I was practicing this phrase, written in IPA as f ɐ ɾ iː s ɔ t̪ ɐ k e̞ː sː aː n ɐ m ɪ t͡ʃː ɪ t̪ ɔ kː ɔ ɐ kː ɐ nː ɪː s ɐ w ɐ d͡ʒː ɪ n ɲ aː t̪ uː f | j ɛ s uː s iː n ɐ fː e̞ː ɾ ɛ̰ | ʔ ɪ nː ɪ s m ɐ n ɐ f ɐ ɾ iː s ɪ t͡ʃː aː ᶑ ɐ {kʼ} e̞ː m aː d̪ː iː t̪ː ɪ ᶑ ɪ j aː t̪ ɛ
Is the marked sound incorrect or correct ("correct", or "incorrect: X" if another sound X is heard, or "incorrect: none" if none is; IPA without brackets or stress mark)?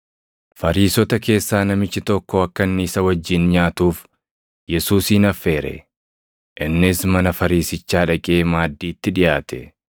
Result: correct